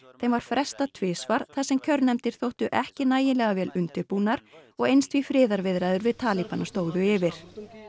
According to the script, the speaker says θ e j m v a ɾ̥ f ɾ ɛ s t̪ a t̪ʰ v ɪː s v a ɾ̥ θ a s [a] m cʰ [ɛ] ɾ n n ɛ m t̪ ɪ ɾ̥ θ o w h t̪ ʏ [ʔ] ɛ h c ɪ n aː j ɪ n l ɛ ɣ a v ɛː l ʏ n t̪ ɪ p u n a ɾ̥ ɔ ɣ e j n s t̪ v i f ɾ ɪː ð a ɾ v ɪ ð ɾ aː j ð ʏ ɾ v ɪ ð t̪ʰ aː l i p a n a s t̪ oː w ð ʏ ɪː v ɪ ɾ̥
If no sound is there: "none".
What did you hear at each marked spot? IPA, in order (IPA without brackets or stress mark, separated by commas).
ɛ, œ, ʔ